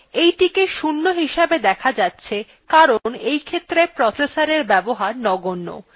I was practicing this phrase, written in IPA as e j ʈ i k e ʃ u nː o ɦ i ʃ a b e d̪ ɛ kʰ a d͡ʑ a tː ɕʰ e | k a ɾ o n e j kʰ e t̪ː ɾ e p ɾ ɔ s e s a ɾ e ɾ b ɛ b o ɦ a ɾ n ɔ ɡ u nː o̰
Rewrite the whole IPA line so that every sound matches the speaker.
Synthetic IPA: e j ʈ i k e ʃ u nː o ɦ i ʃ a b e d̪ ɛ kʰ a d͡ʑ a tː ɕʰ e | k a ɾ o n e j kʰ e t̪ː ɾ e p ɾ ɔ s e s a ɾ e ɾ b ɛ b o ɦ a ɾ n ɔ ɡ o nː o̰